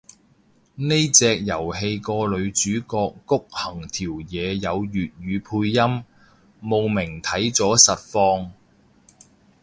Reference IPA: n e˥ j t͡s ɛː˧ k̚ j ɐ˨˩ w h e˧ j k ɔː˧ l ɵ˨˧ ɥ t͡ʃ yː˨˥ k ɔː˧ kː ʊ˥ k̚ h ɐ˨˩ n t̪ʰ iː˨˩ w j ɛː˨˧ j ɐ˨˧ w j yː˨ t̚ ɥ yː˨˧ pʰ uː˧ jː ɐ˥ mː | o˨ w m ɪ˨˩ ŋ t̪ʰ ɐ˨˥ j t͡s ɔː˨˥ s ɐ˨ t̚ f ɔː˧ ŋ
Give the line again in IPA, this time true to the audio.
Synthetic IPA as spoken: n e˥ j t͡s ɛː˧ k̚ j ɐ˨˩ w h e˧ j k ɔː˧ l ɵ˨˧ ɥ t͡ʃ yː˨˥ k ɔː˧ kː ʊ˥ k̚ h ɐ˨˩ ŋ t̪ʰ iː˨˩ w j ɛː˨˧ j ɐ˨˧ w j yː˨ t̚ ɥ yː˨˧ pʰ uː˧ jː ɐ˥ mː | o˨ w m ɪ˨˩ ŋ t̪ʰ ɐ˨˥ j t͡s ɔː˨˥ s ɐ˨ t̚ f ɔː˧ ŋ